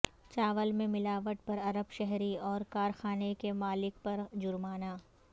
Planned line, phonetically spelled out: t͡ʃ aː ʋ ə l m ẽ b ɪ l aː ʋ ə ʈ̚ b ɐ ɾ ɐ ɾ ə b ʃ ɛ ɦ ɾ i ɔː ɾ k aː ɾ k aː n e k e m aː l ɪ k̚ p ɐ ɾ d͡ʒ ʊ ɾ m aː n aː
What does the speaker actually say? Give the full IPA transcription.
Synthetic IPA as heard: t͡ʃ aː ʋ ə l m ẽ m ɪ l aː ʋ ə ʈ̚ p ɐ ɾ ɐ ɾ ə b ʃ ɛ ɦ ɾ i ɔː ɾ k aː ɾ x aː n e k e m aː l ɪ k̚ p ɐ ɾ d͡ʒ ʊ ɾ m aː n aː